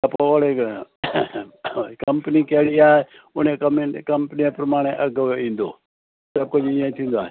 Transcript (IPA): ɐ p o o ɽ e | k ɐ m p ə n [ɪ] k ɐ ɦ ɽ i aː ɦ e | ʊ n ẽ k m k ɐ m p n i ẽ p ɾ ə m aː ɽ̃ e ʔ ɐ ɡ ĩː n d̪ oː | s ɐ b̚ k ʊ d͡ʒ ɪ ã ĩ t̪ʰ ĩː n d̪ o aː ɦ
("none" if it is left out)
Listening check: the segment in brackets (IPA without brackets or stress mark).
i